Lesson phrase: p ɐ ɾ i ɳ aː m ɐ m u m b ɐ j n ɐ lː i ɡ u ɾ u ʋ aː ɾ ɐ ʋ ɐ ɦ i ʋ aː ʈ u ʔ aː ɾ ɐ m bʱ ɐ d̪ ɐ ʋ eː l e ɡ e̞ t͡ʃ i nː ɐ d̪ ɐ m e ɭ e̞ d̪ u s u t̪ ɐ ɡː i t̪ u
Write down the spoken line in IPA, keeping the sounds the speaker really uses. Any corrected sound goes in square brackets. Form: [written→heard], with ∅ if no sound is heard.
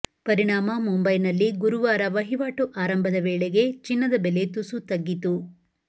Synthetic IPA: p ɐ ɾ i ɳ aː m ɐ m u m b ɐ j n ɐ lː i ɡ u ɾ u ʋ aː ɾ ɐ ʋ ɐ ɦ i ʋ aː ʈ u ʔ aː ɾ ɐ m bʱ ɐ d̪ ɐ ʋ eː [l→ɭ] e ɡ e̞ t͡ʃ i nː ɐ d̪ ɐ [m→b] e [ɭ→l] e̞ [d̪→t̪] u s u t̪ ɐ ɡː i t̪ u